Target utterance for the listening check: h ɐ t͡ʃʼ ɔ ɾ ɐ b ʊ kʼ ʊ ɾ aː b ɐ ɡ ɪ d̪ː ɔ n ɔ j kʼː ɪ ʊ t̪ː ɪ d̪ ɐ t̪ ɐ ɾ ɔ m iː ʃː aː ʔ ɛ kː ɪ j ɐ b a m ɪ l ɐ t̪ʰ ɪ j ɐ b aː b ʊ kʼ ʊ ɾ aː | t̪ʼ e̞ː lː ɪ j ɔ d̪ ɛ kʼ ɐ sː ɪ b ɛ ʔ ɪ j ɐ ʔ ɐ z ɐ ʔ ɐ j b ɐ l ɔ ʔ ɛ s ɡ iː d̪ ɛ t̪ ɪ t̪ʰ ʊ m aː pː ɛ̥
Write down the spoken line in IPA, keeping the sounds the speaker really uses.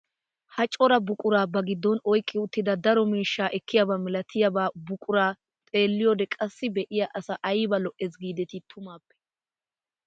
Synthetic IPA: h ɐ t͡ʃʼ ɔ ɾ ɐ b ʊ kʼ ʊ ɾ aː b ɐ ɡ ɪ d̪ː ɔ n ɔ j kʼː ɪ ʊ t̪ː ɪ d̪ ɐ d̪ ɐ ɾ ɔ m iː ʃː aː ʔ ɛ kː ɪ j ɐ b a m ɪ l ɐ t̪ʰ ɪ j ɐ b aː b ʊ kʼ ʊ ɾ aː | t̪ʼ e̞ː lː ɪ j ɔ d̪ ɛ kʼ ɐ sː ɪ b ɛ ʔ ɪ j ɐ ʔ ɐ s ɐ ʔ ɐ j b ɐ l ɔ ʔ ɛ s ɡ iː d̪ ɛ t̪ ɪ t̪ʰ ʊ m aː pː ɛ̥